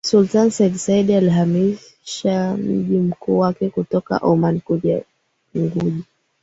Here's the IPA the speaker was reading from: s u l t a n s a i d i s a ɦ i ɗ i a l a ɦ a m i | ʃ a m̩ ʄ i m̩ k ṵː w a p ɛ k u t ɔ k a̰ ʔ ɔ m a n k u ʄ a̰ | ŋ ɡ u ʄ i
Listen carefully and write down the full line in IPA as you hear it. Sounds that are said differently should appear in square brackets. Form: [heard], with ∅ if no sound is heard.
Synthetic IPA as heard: s u l t a n s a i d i s a [∅] i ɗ i a l [i] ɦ a m i | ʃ a m̩ ʄ i m̩ k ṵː w a [k] ɛ k u t ɔ k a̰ ʔ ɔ m a n k u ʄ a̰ | ŋ ɡ u ʄ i